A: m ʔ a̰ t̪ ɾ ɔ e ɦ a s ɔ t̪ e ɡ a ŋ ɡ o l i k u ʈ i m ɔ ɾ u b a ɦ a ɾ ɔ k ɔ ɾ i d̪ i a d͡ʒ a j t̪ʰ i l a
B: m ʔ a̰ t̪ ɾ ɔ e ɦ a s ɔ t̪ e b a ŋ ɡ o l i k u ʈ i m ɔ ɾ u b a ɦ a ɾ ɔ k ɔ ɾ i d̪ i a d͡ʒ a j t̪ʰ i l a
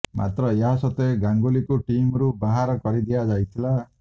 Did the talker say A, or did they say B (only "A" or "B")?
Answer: A